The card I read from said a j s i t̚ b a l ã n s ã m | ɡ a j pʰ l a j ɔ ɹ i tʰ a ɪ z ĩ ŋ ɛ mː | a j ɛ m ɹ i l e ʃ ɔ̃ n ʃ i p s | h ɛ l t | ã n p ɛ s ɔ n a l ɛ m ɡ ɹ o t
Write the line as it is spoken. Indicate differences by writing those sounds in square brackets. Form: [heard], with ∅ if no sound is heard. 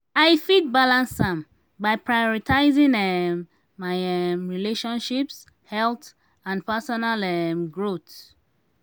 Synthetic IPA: a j [f] i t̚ b a l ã n s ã m | [b] a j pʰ [ɹ] a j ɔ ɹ i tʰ a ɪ z ĩ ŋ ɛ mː | a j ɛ m ɹ i l e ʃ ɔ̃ n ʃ i p s | h ɛ l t | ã n p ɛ s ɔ n a l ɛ m ɡ ɹ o t